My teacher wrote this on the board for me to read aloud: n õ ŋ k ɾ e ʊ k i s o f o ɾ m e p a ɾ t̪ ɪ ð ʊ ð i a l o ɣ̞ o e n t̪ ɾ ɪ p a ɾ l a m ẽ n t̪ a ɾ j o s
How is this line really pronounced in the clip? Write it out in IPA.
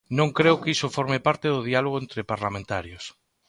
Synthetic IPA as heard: n õ ŋ k ɾ e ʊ k i s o f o ɾ m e p a ɾ t̪ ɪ ð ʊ ð i a l o ɣ̞ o e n t̪ ɾ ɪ p a ɾ l a m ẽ n t̪ a ɾ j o s